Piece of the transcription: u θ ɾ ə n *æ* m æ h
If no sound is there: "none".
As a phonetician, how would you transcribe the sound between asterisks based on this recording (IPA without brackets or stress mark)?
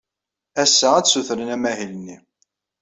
æ